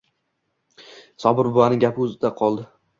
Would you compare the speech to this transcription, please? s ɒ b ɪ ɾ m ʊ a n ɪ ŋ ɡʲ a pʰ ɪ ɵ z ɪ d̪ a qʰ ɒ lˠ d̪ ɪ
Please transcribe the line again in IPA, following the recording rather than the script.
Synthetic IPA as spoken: s ɒ b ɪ ɾ b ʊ a n ɪ ŋ ɡʲ a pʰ ɪ ɵ z ɪ d̪ a qʰ ɒ lˠ d̪ ɪ